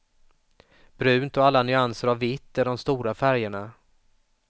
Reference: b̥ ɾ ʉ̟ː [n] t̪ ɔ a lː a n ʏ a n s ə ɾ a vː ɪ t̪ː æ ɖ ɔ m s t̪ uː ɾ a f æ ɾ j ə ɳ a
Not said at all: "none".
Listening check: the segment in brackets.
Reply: n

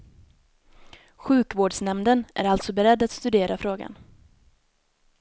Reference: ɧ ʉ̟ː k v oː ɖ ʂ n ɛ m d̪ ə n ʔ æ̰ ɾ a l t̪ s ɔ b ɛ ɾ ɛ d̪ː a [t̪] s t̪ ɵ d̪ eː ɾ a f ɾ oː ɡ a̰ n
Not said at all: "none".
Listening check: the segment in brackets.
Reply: t̪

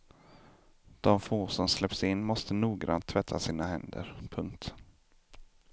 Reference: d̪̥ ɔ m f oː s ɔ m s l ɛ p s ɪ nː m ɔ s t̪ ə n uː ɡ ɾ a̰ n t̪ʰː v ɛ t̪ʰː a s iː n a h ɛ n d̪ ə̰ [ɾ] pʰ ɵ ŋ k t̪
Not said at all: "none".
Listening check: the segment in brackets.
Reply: ɾ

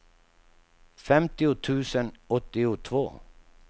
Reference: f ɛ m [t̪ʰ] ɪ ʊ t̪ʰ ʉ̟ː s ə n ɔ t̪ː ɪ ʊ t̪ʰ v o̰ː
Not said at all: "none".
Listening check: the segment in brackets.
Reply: t̪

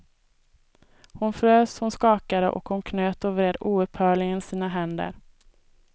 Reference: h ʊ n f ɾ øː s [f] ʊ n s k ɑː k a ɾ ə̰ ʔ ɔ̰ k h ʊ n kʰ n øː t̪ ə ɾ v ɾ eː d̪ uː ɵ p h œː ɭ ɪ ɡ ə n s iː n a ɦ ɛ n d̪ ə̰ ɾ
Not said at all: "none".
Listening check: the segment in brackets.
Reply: h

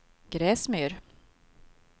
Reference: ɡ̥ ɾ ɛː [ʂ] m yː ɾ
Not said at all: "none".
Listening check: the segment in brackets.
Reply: s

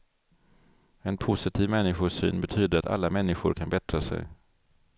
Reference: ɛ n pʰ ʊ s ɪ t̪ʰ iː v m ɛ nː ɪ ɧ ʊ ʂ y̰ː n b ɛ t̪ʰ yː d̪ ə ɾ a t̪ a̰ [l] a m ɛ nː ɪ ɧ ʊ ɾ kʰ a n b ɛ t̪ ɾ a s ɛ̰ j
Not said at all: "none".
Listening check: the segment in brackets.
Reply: lː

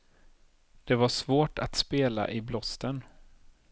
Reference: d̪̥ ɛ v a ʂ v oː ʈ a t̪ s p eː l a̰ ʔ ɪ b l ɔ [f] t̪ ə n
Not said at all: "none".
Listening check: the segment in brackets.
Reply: s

